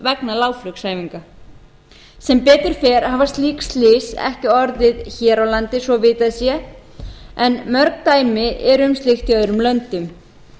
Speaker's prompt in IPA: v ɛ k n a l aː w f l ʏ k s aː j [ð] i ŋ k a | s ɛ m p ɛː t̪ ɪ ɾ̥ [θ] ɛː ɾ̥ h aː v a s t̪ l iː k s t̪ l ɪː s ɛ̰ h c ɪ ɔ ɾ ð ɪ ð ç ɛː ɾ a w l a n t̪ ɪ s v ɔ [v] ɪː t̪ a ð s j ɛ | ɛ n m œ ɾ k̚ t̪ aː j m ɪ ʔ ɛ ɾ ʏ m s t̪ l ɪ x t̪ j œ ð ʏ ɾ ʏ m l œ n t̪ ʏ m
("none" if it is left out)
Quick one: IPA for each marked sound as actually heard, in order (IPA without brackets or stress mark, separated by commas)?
v, f, v